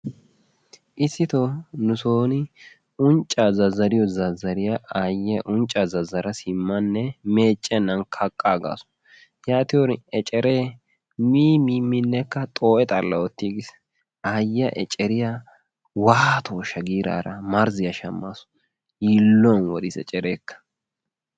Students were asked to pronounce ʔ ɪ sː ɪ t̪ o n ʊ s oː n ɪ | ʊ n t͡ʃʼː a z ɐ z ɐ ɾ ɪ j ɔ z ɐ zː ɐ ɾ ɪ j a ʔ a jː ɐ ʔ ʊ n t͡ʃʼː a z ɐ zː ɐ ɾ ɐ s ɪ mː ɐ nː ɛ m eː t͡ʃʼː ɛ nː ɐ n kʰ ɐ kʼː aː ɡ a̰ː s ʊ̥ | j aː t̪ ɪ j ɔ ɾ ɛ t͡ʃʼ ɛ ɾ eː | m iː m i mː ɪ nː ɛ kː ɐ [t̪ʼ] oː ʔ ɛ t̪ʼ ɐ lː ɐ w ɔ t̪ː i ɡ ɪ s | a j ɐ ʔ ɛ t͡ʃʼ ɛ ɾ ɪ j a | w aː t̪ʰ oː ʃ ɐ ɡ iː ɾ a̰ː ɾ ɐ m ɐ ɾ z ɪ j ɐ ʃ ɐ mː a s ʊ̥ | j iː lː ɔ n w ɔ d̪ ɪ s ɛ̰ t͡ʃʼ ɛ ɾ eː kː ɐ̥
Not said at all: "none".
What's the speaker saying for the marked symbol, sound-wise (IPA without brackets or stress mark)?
t̪ʼ